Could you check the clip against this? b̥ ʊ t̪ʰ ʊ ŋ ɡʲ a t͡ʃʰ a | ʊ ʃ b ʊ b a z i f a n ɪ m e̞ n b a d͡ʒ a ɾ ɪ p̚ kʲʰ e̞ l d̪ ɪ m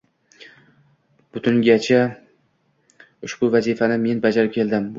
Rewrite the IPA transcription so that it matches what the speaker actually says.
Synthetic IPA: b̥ ʊ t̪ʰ ʊ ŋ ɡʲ a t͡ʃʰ a | ʊ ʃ b ʊ v a z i f a n ɪ m e̞ n b a d͡ʒ a ɾ ɪ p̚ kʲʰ e̞ l d̪ ɪ m